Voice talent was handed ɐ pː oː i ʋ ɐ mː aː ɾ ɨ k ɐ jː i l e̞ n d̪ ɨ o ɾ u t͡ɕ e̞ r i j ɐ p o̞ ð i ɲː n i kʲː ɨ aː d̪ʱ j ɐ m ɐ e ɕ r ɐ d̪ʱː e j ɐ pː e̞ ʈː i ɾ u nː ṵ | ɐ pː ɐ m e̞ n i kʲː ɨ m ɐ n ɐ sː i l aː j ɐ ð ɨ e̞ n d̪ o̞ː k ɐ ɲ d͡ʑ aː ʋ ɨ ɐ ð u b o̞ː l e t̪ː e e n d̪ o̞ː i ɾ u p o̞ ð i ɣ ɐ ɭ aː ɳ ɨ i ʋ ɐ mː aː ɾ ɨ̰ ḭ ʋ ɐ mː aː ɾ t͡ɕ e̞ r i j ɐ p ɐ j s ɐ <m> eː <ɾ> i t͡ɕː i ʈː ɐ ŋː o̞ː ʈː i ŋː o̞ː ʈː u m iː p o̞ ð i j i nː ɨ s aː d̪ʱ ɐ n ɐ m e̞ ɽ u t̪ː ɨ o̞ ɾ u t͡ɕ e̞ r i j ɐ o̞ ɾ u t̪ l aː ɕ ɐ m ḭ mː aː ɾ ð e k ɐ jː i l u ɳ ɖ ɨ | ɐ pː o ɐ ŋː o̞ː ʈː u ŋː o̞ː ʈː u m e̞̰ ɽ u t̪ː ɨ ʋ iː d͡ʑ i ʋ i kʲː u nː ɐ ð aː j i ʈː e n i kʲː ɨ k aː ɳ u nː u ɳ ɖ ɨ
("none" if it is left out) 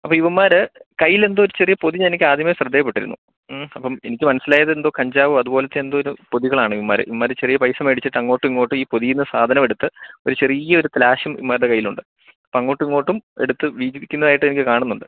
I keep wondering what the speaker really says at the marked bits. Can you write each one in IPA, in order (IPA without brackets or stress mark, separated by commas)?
m, ɽ